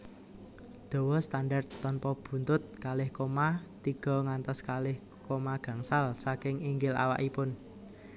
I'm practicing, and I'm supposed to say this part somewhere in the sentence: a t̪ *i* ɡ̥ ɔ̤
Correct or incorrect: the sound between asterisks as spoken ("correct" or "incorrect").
correct